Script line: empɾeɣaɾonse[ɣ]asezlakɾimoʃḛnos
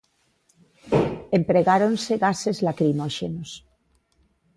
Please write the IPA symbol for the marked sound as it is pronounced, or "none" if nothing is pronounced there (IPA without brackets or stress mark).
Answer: ɣ